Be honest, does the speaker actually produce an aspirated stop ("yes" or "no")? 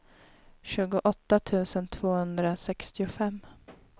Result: yes